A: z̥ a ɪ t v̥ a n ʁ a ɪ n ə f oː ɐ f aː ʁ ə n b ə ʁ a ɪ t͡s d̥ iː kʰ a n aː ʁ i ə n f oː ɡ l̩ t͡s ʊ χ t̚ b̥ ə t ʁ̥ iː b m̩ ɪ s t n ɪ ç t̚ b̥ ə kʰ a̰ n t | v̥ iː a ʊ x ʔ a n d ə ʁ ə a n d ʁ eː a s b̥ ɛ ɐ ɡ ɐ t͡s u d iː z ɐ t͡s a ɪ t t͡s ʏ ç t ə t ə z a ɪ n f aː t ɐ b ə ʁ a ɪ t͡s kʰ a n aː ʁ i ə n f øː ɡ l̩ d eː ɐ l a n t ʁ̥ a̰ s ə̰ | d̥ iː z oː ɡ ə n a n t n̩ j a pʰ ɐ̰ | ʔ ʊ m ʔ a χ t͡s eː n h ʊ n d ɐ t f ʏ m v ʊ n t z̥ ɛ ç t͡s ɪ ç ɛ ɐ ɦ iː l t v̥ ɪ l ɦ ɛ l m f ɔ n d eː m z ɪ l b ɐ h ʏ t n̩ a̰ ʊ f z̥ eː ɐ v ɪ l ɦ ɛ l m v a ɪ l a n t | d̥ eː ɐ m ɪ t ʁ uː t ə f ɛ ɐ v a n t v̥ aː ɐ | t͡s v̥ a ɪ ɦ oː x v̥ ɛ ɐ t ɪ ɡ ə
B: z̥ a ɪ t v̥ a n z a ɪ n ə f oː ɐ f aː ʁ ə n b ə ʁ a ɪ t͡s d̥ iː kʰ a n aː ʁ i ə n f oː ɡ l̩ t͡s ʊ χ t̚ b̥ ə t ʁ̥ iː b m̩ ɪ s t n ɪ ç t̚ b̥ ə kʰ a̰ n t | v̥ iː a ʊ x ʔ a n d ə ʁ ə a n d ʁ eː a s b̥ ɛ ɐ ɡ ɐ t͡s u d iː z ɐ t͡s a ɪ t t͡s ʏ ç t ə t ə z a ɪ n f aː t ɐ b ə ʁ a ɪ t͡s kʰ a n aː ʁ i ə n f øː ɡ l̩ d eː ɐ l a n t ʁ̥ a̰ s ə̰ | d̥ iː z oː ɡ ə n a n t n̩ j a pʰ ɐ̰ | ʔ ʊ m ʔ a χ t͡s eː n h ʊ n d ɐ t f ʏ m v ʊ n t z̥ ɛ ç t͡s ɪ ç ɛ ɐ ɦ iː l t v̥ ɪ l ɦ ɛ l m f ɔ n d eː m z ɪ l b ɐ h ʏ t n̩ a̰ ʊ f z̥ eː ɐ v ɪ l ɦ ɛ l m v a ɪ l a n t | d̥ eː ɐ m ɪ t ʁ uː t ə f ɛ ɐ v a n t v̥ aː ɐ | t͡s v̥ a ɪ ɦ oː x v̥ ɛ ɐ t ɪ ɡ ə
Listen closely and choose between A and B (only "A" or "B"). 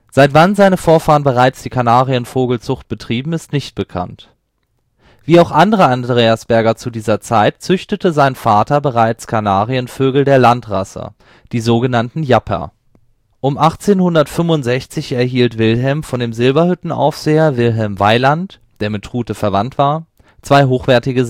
B